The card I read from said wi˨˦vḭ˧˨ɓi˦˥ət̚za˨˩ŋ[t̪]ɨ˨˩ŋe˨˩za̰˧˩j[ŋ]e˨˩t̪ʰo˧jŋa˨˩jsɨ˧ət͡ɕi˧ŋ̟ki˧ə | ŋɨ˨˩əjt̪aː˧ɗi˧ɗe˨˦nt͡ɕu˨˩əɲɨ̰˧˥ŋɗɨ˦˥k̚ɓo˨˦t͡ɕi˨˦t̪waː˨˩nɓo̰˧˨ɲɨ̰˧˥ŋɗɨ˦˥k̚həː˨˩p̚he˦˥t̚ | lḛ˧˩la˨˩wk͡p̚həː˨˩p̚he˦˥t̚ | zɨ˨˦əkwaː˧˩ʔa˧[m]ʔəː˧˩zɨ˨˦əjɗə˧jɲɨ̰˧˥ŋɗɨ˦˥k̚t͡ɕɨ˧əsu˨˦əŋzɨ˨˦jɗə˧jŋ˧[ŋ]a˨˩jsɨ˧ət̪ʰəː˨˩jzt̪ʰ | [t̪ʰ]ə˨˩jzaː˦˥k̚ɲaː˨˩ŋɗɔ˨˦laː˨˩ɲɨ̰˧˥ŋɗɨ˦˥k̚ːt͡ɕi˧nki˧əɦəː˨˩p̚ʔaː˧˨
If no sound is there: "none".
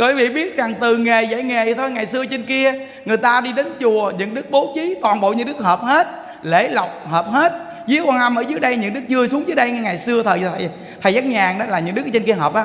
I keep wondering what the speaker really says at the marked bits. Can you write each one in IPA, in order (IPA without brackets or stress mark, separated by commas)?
t̪, ŋ, m, ŋ, t̪ʰ